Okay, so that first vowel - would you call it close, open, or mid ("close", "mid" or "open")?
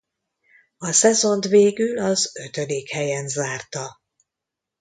open